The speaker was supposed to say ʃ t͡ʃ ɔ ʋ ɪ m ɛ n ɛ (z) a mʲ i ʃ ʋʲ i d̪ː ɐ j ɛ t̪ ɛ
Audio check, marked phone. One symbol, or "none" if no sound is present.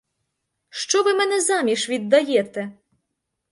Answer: z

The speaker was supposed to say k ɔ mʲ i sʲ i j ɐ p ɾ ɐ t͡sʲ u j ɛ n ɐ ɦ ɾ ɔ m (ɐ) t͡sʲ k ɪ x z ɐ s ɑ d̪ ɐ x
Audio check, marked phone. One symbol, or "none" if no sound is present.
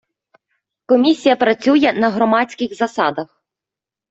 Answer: ɑ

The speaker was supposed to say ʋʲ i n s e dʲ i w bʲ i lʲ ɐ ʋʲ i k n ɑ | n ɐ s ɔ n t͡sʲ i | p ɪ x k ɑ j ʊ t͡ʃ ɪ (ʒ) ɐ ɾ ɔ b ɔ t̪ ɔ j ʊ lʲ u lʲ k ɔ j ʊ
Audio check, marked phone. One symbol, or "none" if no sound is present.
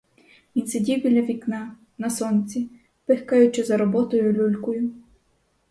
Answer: z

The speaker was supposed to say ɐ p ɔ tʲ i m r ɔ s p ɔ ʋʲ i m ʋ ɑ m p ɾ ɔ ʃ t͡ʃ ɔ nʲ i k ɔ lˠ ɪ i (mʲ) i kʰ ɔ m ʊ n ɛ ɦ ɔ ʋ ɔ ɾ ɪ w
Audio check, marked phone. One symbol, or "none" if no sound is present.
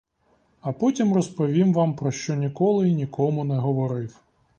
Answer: nʲ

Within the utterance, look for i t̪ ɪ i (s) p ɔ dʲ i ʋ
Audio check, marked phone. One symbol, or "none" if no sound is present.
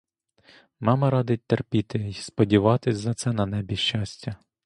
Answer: s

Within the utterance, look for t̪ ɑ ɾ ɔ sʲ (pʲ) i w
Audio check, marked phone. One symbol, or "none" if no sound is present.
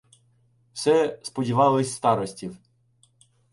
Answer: tʲ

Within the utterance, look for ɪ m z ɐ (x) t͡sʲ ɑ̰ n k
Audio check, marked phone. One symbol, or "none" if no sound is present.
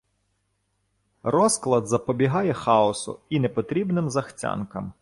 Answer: x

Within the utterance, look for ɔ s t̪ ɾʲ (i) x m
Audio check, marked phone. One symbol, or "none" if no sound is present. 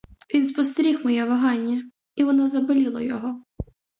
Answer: i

